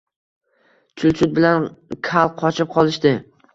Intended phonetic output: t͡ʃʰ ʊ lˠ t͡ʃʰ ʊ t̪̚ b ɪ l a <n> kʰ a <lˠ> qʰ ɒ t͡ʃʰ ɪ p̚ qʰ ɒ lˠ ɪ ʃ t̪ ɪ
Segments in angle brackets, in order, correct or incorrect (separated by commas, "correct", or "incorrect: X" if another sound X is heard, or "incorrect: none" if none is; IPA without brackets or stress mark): correct, correct